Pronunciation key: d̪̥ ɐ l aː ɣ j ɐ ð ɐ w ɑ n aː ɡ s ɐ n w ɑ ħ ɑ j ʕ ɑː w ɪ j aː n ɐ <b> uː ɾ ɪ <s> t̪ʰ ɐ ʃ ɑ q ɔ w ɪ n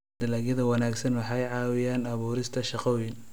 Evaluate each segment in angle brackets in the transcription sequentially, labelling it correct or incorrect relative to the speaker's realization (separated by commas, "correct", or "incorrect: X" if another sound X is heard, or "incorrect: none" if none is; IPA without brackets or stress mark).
incorrect: β, correct